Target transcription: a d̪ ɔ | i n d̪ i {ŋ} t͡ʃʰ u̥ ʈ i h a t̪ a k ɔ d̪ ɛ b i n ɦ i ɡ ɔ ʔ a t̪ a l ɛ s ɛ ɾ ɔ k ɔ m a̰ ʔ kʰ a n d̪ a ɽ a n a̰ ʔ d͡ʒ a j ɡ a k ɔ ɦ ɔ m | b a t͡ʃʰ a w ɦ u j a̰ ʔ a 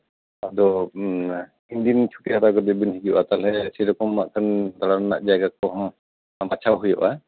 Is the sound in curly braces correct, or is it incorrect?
incorrect